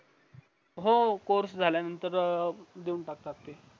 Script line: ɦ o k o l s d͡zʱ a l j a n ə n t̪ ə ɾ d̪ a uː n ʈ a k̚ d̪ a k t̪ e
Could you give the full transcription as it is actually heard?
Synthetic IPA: ɦ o k o ɾ s d͡zʱ a l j a n ə n t̪ ə ɾ d̪ e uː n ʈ a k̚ t̪ a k t̪ e